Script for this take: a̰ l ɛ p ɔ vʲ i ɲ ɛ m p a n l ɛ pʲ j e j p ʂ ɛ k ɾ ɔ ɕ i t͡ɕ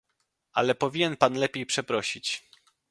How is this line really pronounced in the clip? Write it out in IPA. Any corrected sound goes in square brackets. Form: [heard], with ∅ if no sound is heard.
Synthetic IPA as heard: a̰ l ɛ p ɔ vʲ i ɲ ɛ [n] p a n l ɛ pʲ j e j p ʂ ɛ [p] ɾ ɔ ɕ i t͡ɕ